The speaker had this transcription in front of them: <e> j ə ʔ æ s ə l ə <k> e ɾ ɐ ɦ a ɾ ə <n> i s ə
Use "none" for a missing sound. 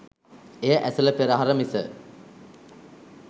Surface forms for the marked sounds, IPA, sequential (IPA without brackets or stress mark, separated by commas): e, p, m